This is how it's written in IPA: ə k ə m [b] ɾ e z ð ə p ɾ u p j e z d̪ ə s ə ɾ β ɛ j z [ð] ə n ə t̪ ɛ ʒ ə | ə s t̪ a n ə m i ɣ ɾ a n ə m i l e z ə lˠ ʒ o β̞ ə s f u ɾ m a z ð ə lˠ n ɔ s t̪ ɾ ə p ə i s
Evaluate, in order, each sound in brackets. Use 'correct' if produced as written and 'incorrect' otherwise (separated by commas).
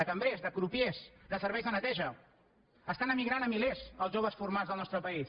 correct, correct